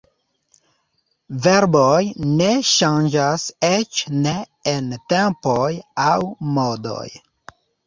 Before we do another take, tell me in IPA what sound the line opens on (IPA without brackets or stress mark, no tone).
v